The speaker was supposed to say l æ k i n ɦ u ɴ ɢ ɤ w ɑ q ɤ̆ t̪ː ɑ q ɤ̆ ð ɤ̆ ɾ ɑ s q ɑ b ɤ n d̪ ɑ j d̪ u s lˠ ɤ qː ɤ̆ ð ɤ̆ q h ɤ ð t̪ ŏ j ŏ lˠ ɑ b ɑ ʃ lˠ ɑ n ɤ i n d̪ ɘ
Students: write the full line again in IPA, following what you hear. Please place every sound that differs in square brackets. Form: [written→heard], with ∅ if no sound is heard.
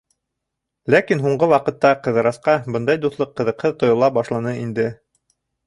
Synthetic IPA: l æ k i n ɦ u ɴ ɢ ɤ w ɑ q ɤ̆ t̪ː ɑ q ɤ̆ ð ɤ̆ ɾ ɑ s q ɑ b ɤ n d̪ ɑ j d̪ u [s→θ] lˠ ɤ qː ɤ̆ ð ɤ̆ q h ɤ ð t̪ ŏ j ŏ lˠ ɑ b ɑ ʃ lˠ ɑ n ɤ i n d̪ ɘ